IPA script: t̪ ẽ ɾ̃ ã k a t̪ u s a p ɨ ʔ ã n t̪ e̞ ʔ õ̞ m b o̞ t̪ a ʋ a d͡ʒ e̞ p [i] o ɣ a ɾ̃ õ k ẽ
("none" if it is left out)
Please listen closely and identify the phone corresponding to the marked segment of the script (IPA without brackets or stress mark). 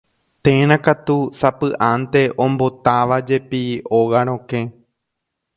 i